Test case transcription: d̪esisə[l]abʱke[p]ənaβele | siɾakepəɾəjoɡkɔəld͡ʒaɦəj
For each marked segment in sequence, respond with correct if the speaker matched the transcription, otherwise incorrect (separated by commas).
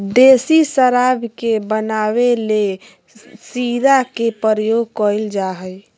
incorrect, incorrect